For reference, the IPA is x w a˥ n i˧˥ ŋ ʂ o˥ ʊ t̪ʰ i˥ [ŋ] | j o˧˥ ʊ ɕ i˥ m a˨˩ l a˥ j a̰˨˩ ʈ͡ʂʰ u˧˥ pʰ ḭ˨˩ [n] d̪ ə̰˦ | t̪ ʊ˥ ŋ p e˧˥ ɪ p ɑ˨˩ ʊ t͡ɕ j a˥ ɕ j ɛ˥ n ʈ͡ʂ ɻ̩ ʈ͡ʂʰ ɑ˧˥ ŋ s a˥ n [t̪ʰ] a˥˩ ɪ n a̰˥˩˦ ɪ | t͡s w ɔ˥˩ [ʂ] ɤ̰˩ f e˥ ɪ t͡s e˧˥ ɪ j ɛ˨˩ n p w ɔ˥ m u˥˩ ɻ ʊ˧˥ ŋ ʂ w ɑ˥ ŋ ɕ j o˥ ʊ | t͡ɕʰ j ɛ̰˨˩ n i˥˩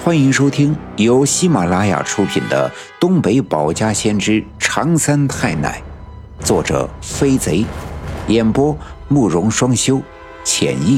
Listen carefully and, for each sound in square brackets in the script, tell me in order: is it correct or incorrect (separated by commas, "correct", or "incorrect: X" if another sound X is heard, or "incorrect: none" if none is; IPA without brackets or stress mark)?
correct, correct, correct, incorrect: ʈ͡ʂ